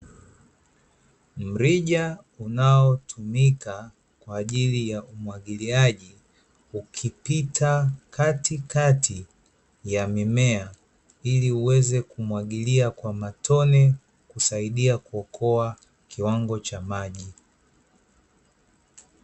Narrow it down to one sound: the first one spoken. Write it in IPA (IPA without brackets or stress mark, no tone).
m̩